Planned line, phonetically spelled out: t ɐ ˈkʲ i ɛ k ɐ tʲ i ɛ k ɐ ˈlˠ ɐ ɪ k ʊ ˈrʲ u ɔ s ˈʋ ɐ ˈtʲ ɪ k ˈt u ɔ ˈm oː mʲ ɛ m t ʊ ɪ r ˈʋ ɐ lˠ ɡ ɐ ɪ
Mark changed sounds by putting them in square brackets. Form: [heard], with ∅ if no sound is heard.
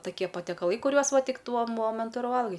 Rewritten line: t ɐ ˈkʲ i ɛ [p] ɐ tʲ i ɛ k ɐ ˈlˠ ɐ ɪ k ʊ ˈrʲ u ɔ s ˈʋ ɐ ˈtʲ ɪ k ˈt u ɔ ˈm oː mʲ ɛ [n] t ʊ ɪ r ˈʋ ɐ lˠ ɡ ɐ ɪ